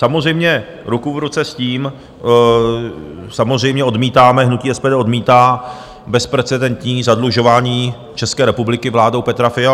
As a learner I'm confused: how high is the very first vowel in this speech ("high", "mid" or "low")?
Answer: low